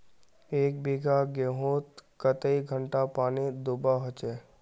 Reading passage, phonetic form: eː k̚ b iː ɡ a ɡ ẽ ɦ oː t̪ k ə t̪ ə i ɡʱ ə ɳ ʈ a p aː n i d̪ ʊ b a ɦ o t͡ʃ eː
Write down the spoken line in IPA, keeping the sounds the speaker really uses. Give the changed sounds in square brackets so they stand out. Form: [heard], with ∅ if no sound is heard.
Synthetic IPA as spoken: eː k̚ b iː ɡ a ɡ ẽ ɦ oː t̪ k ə t̪ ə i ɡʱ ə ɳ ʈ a p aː n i d̪ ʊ b a ɦ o t͡ʃ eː